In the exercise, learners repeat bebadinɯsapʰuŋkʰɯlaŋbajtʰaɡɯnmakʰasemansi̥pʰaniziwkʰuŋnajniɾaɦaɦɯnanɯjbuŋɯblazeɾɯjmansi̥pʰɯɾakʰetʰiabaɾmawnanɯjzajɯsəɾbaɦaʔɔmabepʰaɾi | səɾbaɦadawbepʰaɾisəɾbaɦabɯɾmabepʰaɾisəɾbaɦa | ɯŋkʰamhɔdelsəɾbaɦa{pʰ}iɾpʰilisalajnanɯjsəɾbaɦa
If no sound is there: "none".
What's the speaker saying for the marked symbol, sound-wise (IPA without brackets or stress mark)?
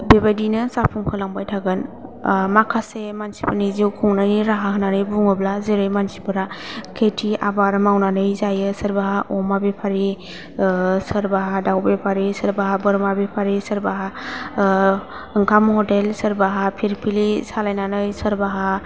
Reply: pʰ